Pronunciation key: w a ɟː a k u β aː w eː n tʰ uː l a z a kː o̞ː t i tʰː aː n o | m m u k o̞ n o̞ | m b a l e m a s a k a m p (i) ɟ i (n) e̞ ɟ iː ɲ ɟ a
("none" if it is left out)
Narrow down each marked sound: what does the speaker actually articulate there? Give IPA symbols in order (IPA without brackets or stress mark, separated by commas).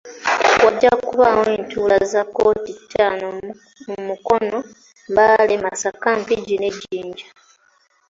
i, n